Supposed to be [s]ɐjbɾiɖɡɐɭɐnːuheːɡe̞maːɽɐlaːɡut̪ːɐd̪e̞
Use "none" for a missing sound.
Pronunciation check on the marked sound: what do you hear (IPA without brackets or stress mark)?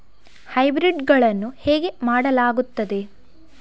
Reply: h